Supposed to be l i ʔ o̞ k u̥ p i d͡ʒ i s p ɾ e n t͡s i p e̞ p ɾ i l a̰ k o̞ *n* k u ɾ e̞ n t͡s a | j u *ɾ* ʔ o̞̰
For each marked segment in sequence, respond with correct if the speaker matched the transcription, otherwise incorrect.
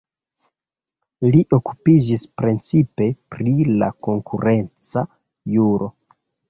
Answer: incorrect: ŋ, correct

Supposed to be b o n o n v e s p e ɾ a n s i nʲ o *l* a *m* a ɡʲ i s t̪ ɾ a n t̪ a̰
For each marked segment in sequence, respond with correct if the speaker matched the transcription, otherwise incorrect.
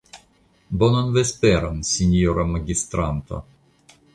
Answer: incorrect: ɾ, correct

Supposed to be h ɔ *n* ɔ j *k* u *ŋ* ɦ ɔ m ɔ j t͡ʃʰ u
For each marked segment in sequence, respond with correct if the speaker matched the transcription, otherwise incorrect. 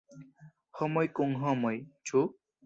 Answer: incorrect: m, correct, correct

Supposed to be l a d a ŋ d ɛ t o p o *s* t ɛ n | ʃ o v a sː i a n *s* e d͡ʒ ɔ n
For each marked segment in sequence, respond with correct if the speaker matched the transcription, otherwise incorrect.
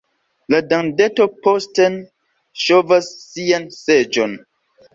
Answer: correct, correct

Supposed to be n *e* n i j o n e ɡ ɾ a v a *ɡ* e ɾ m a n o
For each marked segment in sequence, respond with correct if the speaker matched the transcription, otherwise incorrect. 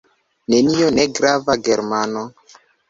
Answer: correct, correct

